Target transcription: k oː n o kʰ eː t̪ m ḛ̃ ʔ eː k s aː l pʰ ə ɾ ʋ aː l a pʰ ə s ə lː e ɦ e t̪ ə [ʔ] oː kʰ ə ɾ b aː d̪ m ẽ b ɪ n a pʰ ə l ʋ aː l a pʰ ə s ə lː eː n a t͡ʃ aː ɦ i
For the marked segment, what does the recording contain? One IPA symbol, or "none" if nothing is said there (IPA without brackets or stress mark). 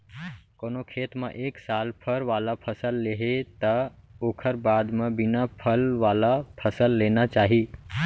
none